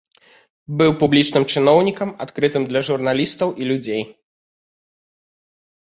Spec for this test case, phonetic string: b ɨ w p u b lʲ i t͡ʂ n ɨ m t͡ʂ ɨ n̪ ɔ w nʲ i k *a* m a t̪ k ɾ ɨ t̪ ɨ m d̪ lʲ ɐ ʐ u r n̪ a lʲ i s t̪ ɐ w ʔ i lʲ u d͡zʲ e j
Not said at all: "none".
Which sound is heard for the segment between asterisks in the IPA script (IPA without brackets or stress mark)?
ɐ